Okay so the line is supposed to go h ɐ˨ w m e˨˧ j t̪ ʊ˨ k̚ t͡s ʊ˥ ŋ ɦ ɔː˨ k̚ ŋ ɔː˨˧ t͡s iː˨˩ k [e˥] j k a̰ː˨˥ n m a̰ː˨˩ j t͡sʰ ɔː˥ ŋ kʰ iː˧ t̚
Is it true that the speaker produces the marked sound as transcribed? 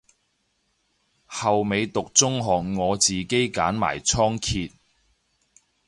yes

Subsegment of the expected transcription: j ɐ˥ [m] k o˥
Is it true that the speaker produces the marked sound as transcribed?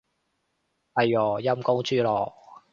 yes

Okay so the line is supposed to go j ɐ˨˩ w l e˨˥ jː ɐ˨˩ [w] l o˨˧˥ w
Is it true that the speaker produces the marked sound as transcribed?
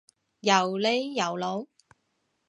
yes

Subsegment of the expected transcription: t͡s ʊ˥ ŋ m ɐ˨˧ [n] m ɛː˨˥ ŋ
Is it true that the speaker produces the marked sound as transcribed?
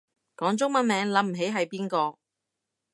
yes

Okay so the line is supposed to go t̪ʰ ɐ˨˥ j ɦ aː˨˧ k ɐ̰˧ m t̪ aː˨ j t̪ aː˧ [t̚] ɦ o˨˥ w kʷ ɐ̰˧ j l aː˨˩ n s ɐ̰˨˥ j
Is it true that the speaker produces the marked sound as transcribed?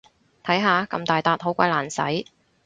yes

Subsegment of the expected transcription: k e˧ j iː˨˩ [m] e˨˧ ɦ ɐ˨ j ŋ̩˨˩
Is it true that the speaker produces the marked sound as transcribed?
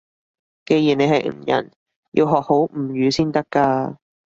no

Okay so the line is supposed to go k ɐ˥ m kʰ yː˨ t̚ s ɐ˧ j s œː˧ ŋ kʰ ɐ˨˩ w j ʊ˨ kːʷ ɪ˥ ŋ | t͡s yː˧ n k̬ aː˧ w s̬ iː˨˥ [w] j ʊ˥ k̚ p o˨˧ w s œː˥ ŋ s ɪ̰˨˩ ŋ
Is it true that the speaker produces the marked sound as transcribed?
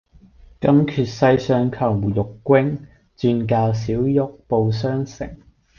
yes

